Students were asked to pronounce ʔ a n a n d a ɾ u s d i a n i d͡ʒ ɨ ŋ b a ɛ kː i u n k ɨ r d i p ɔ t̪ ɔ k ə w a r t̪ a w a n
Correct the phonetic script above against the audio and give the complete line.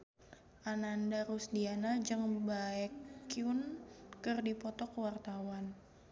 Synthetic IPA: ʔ a n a n d a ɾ u s d i a n a d͡ʒ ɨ ŋ b a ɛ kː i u n k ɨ r d i p ɔ t̪ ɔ k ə w a r t̪ a w a n